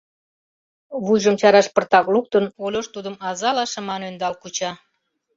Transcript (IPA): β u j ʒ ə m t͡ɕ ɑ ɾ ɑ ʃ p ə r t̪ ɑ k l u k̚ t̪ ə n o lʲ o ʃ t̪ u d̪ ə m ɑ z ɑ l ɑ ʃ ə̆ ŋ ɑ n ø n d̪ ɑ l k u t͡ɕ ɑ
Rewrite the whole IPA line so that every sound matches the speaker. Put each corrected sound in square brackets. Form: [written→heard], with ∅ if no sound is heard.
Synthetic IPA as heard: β u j ʒ ə m t͡ɕ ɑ ɾ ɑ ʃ p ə r t̪ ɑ k l u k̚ t̪ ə n o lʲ o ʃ t̪ u d̪ ə m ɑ z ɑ l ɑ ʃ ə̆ [ŋ→m] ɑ n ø n d̪ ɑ l k u t͡ɕ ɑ